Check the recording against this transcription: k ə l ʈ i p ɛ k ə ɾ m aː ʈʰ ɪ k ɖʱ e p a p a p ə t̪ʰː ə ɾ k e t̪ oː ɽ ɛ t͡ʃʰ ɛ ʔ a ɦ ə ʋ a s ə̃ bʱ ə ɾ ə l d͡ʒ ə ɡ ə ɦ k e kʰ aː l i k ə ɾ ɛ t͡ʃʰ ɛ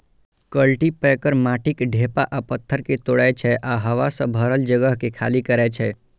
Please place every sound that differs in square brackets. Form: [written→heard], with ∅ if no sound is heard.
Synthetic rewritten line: k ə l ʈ i p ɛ k ə ɾ m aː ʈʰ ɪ k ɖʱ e p a [p→ʔ] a p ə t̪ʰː ə ɾ k e t̪ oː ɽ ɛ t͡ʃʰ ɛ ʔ a ɦ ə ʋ a s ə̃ bʱ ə ɾ ə l d͡ʒ ə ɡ ə ɦ k e kʰ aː l i k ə ɾ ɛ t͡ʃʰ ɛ